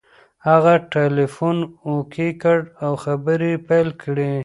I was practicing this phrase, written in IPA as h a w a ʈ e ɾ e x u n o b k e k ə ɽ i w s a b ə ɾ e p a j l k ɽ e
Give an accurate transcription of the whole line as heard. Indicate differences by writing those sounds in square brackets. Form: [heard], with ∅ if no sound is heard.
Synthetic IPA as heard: h a [ɣ] a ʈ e [l] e [f] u n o [∅] k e k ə ɽ [a] w [x] a b ə ɾ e p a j l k ɽ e